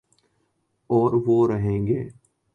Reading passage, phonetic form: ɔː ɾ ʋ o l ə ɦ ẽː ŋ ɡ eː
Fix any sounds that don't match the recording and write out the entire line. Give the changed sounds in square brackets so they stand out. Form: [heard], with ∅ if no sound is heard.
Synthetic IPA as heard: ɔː ɾ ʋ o [ɾ] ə ɦ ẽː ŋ ɡ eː